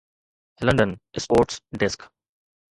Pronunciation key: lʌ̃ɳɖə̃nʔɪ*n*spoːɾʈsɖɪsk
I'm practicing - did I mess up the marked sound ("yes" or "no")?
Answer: yes